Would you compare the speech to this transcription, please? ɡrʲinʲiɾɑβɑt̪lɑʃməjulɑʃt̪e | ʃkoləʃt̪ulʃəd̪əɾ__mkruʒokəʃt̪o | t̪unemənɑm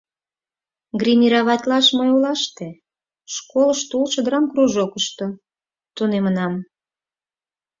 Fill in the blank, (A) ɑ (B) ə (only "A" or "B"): A